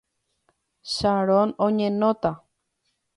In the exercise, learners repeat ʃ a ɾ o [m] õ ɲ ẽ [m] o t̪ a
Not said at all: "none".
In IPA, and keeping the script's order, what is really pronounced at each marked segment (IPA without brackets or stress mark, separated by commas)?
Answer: n, n